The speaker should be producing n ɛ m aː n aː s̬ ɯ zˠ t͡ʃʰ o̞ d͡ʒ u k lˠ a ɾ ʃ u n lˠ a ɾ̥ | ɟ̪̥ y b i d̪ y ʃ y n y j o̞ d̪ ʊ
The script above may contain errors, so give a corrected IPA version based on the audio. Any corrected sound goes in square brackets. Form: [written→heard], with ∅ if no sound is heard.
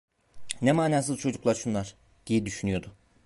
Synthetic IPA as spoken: n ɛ m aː n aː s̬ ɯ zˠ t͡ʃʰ o̞ d͡ʒ u k lˠ a ɾ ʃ u n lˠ a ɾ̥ | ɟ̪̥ [y→i] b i d̪ y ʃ y n y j o̞ d̪ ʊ